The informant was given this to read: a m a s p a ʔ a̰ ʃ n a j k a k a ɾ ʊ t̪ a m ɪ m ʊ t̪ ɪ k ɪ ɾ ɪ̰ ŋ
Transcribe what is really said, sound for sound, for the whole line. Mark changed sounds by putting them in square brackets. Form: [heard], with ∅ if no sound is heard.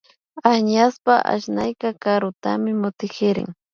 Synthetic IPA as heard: a [ɲ] a s p a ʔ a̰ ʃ n a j k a k a ɾ ʊ t̪ a m ɪ m ʊ t̪ ɪ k ɪ ɾ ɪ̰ ŋ